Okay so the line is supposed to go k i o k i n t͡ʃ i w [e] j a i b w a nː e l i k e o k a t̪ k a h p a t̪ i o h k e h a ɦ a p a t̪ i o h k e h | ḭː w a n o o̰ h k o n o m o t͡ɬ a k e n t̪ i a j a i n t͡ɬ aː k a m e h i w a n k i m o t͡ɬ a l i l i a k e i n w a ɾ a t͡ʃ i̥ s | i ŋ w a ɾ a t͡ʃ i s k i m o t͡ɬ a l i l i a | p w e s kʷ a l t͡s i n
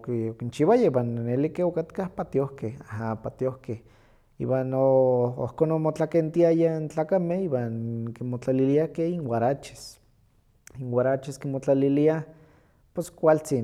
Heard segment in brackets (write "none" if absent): a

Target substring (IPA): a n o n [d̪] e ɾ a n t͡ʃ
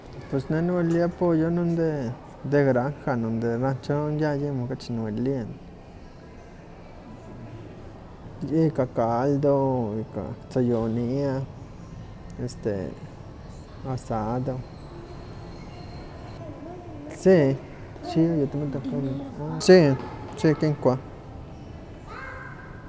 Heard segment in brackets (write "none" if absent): d̪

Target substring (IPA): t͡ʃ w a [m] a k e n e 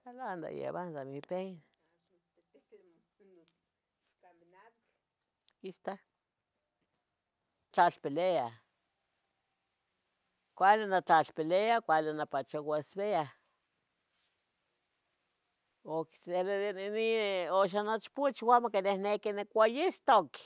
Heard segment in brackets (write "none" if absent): m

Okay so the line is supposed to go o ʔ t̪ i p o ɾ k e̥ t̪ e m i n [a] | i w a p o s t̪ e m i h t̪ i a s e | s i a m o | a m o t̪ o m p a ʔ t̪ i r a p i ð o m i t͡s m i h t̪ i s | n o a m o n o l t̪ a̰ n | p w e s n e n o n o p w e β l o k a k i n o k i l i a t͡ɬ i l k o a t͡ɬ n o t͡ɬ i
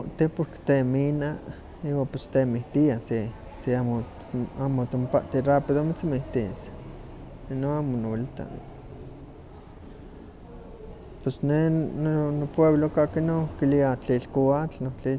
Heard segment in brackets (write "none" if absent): a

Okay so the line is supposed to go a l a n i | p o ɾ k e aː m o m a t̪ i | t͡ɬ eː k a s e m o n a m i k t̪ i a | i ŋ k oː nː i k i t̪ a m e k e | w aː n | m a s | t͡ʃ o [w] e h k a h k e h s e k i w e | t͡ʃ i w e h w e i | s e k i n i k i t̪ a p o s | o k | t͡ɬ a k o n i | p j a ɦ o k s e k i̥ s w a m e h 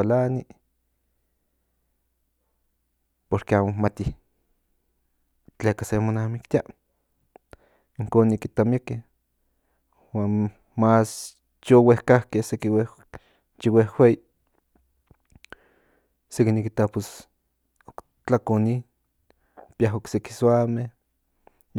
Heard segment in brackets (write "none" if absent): w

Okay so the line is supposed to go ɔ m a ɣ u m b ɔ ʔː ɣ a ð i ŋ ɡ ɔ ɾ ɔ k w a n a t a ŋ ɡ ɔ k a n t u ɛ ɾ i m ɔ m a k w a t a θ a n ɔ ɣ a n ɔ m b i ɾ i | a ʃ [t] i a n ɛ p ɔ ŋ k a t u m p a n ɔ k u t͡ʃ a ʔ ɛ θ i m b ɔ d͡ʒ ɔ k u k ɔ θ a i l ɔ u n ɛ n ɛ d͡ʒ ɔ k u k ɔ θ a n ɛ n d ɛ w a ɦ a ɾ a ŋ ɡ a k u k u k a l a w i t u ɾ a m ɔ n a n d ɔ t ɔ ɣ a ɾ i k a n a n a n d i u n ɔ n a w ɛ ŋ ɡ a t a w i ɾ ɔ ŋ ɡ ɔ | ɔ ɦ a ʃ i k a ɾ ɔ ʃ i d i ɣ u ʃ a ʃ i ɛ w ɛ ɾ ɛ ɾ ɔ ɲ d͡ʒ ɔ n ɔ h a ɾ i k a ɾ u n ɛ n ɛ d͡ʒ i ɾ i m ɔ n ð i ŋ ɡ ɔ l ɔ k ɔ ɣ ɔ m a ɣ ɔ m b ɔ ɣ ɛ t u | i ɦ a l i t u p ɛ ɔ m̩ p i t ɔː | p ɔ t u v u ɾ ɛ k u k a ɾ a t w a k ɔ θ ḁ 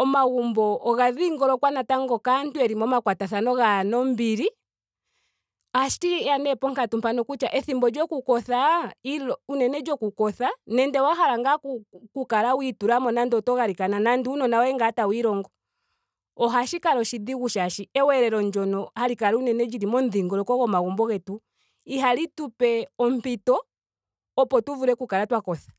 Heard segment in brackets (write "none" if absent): t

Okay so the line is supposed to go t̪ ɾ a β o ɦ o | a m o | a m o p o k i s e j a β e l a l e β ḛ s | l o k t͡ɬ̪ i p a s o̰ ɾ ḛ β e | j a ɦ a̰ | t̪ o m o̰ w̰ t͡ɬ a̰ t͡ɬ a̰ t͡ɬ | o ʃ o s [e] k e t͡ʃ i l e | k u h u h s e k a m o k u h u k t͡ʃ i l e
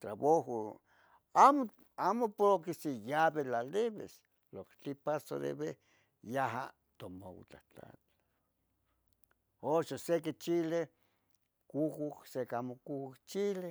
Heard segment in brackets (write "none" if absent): e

